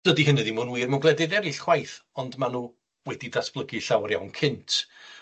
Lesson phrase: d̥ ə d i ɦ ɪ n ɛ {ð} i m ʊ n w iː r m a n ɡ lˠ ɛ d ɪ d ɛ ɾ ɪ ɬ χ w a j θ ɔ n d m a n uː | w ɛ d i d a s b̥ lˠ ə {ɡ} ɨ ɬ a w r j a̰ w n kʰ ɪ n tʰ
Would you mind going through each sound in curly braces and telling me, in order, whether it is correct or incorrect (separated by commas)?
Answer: correct, correct